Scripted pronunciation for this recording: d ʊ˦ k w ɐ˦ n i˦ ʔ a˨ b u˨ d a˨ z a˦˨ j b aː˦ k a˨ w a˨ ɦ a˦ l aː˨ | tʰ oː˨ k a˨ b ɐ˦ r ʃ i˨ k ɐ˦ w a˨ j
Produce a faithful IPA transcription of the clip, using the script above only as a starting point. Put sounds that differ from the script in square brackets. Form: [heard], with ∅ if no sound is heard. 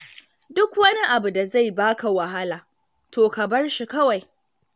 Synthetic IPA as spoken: d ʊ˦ k w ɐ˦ n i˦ ʔ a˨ b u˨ d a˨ z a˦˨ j b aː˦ k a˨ w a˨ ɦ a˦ l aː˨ | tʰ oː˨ k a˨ b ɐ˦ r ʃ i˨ k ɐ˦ w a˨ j